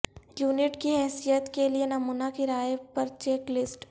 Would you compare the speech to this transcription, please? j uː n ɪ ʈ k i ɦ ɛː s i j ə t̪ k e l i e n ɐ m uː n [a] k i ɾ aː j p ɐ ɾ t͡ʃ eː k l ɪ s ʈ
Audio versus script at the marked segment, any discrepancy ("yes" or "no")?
no